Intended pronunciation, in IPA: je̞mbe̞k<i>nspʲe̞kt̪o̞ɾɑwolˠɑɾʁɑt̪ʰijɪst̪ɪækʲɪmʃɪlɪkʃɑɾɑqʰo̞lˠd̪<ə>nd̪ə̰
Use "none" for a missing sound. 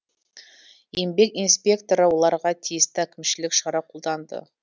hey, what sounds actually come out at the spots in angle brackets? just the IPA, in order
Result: i, ɑ

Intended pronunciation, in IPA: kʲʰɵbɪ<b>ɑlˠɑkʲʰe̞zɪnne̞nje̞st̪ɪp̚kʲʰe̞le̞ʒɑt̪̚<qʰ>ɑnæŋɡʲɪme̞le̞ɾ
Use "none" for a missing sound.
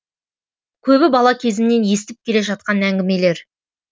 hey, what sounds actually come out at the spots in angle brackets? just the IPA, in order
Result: b, q

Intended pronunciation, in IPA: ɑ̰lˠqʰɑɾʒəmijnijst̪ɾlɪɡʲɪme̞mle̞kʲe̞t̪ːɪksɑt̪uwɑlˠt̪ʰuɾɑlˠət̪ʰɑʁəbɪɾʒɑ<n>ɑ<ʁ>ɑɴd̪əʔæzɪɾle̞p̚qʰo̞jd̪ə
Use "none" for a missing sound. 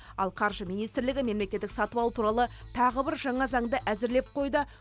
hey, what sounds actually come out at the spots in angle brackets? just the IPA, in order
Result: ɴ, z

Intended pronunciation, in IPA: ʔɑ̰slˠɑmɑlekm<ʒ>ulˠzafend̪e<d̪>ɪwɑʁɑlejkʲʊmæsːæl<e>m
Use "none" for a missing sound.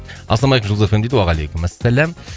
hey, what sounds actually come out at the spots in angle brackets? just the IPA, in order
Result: ʒ, d̪, æ

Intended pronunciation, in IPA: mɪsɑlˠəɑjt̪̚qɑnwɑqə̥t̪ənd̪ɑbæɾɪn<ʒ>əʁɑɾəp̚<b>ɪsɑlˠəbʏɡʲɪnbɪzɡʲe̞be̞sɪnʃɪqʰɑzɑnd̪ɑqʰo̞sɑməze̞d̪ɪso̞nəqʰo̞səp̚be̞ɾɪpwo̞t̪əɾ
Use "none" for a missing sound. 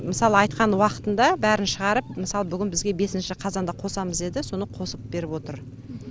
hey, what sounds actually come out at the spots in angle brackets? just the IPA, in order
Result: ʃ, m

